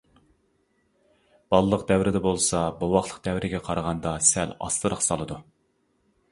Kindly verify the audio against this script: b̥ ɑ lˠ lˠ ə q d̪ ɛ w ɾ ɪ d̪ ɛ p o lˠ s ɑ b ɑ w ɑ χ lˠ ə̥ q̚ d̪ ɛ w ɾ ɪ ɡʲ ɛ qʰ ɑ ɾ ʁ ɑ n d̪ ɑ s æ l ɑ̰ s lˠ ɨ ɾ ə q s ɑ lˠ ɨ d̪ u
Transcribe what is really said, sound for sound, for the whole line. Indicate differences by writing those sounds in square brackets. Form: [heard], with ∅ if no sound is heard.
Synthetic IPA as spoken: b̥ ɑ lˠ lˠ ə q d̪ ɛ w ɾ ɪ d̪ ɛ [b] o lˠ s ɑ b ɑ w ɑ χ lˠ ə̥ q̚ d̪ ɛ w ɾ ɪ ɡʲ ɛ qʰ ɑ ɾ ʁ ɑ n d̪ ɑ s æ l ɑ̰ s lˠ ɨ ɾ ə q s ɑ lˠ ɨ d̪ u

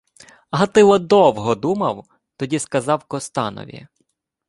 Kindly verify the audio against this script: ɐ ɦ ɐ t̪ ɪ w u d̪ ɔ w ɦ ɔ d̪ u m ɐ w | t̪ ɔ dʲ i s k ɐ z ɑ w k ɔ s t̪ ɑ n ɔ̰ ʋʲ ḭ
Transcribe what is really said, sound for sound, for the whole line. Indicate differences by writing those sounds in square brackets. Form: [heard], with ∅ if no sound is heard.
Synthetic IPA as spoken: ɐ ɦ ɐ t̪ ɪ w [ɔ] d̪ ɔ w ɦ ɔ d̪ u m ɐ w | t̪ ɔ dʲ i s k ɐ z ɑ w k ɔ s t̪ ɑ n ɔ̰ ʋʲ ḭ

